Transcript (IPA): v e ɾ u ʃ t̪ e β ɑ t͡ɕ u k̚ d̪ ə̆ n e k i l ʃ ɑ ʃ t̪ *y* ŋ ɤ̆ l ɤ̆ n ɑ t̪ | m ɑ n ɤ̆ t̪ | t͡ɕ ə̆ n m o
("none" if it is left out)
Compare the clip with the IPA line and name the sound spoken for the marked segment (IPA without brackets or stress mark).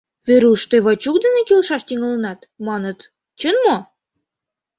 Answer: i